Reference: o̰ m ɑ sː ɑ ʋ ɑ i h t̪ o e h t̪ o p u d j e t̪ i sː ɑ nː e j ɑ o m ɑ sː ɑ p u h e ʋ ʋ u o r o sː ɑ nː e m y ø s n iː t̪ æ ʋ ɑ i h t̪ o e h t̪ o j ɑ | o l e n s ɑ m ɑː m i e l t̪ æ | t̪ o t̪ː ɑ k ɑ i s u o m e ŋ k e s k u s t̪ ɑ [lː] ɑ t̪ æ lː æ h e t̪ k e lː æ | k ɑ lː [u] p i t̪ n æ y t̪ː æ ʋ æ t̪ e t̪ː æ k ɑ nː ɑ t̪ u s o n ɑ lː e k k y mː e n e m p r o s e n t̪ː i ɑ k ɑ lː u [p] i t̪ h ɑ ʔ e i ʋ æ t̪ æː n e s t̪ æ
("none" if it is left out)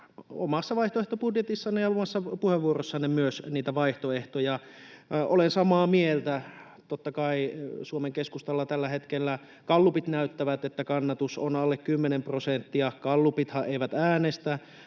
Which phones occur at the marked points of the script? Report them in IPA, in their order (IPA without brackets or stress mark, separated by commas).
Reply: lː, u, p